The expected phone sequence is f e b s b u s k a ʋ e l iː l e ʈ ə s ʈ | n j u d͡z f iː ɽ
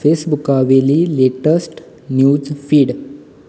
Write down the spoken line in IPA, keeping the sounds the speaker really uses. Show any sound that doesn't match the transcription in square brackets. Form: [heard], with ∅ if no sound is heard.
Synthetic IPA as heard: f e [∅] s b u [∅] k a ʋ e l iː l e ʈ ə s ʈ | n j u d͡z f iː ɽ